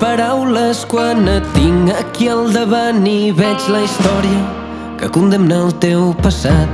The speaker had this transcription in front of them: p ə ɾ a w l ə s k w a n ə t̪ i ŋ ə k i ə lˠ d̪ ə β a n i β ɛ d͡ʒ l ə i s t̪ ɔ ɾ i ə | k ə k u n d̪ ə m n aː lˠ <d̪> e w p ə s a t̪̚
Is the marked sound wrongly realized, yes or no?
yes